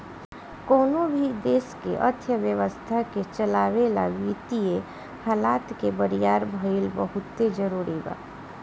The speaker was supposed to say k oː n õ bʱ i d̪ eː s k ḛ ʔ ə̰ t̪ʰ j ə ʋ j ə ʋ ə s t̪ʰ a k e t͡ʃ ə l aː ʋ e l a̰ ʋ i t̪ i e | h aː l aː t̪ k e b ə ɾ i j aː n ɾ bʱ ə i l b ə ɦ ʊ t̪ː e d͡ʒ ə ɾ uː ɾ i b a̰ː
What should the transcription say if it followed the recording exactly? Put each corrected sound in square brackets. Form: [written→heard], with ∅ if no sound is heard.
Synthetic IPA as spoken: k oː n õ bʱ i d̪ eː s k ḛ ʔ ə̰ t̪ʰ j ə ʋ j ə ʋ ə s t̪ʰ a k e t͡ʃ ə l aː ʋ e l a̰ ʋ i t̪ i e | h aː l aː t̪ k e b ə ɾ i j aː [n→∅] ɾ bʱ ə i l b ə ɦ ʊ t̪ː e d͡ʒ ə ɾ uː ɾ i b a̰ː